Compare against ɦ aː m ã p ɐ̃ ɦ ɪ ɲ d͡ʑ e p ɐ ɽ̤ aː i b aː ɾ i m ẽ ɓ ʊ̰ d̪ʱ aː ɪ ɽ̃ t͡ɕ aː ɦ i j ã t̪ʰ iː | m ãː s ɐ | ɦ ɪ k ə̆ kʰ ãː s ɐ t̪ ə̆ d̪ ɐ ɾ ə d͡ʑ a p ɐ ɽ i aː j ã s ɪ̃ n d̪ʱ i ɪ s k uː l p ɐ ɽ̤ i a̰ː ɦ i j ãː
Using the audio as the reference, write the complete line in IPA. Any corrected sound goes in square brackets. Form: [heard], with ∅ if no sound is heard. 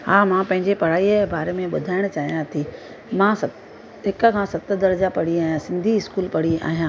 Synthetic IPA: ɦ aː m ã p ɐ̃ ɦ ɪ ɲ d͡ʑ e p ɐ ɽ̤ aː i b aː ɾ [e] m ẽ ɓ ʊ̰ d̪ʱ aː ɪ ɽ̃ t͡ɕ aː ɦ i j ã t̪ʰ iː | m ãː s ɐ | ɦ ɪ k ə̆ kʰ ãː s ɐ t̪ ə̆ d̪ ɐ ɾ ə d͡ʑ a p ɐ ɽ i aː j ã s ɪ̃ n d̪ʱ i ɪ s k uː l p ɐ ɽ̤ i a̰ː ɦ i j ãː

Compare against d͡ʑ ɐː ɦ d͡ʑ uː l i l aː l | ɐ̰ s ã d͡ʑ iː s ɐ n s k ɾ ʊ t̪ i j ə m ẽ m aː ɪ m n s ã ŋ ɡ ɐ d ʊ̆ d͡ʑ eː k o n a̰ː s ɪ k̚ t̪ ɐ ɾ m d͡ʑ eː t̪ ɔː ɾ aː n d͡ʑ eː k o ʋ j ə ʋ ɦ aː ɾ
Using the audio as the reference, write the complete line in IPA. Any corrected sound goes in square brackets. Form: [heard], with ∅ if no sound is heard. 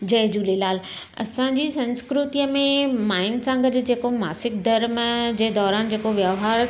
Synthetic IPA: d͡ʑ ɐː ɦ d͡ʑ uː l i l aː l | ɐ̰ s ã d͡ʑ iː s [ɐ̃] n s k ɾ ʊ t̪ i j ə m ẽ m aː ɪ [∅] n s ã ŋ ɡ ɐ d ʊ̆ d͡ʑ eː k o [m] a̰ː s ɪ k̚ [d̪] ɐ ɾ m d͡ʑ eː [d̪] ɔː ɾ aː n d͡ʑ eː k o ʋ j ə ʋ ɦ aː ɾ

